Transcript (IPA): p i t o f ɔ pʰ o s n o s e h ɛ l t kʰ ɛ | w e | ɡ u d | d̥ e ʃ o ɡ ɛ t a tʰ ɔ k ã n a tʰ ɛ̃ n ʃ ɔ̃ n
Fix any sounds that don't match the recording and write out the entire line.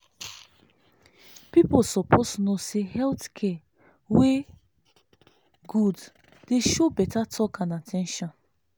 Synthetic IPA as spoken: p i p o s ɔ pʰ o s n o s e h ɛ l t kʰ ɛ | w e | ɡ u d | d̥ e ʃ o b ɛ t a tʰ ɔ k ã n a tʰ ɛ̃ n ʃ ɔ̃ n